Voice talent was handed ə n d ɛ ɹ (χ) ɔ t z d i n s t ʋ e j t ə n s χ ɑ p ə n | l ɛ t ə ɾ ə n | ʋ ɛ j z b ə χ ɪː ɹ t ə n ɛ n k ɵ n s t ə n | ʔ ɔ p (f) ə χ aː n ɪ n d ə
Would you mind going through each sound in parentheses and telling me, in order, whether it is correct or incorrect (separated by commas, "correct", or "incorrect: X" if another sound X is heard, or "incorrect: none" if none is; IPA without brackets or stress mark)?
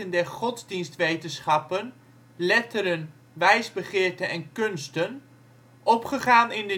correct, incorrect: χ